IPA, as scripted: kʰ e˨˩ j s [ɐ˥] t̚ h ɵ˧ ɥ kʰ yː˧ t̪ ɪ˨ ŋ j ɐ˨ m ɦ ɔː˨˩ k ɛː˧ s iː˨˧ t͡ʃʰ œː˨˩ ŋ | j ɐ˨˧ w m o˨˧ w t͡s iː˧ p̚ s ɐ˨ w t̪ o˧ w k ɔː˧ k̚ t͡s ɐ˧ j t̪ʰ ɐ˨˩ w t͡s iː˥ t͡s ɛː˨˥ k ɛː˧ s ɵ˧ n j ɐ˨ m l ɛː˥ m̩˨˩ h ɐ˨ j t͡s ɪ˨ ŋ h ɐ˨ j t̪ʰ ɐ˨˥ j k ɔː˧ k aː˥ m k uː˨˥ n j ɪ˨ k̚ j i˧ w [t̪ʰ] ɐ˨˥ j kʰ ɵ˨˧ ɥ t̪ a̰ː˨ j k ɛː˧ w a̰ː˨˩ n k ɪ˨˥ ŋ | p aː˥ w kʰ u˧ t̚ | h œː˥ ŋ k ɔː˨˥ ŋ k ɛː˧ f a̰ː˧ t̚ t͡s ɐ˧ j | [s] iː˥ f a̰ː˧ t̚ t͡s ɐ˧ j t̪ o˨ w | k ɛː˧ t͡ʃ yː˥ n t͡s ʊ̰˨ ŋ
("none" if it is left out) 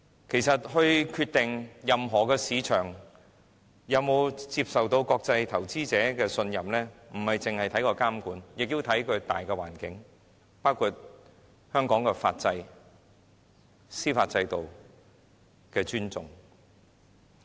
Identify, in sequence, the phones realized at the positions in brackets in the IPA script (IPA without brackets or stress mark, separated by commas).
ɐ˨, t̪ʰ, s